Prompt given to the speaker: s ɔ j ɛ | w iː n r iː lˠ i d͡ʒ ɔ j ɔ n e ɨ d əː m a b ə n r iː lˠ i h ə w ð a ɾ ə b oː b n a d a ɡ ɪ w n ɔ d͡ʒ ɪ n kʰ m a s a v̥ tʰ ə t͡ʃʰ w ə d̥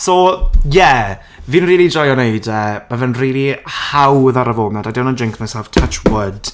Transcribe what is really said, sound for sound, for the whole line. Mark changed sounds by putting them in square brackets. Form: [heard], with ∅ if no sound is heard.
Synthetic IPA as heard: s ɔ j ɛ | [v] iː n r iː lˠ i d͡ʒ ɔ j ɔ n e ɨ d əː m a [v] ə n r iː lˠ i h [a] w ð a ɾ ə [v] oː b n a d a [d] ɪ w n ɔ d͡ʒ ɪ [ŋ] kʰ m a s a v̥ tʰ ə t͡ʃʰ w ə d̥